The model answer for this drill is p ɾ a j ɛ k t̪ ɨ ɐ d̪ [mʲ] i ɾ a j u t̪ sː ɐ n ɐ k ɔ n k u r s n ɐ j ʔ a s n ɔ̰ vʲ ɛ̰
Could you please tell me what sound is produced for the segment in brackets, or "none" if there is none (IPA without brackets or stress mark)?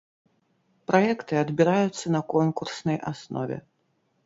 bʲ